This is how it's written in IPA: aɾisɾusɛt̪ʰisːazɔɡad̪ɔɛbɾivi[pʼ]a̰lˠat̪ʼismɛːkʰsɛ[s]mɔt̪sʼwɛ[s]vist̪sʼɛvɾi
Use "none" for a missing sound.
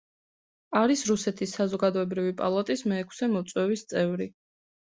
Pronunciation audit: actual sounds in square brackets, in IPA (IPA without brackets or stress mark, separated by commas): pʼ, none, none